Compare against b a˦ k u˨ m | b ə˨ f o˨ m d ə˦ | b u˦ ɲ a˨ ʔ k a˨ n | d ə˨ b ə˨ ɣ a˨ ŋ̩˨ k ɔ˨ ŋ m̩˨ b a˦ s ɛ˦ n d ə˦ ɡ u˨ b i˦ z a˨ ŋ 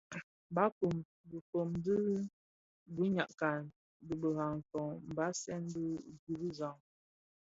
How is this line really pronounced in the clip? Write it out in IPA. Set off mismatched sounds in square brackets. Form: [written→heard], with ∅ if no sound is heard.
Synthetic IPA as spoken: b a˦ k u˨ m | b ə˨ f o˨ m d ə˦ | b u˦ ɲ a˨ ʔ k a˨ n | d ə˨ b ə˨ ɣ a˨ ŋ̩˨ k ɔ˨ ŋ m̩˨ b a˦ s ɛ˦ n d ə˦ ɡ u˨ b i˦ z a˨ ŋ